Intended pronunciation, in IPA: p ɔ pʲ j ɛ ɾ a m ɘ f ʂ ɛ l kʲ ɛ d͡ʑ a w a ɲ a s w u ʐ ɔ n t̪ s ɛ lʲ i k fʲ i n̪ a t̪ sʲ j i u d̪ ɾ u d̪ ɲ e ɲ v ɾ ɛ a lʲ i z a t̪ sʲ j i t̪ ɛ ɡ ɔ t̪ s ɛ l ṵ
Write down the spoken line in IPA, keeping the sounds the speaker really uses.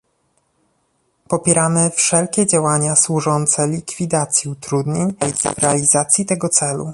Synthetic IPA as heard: p ɔ pʲ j ɛ ɾ a m ɘ f ʂ ɛ l kʲ ɛ d͡ʑ a w a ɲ a s w u ʐ ɔ n t̪ s ɛ lʲ i k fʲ i d̪ a t̪ sʲ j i u t̪ ɾ u d̪ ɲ e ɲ v ɾ ɛ a lʲ i z a t̪ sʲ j i t̪ ɛ ɡ ɔ t̪ s ɛ l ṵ